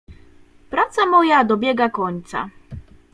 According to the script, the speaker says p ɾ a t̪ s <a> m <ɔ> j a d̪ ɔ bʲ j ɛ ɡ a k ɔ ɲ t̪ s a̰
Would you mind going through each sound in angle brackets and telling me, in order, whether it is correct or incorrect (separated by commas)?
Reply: correct, correct